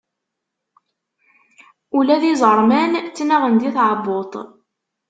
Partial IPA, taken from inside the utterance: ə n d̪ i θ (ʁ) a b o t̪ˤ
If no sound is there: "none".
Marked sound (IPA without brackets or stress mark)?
ʕ